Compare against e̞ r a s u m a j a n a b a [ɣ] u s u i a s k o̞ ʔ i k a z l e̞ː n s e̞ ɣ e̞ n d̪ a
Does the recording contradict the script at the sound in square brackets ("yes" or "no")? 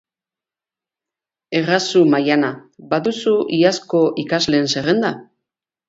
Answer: yes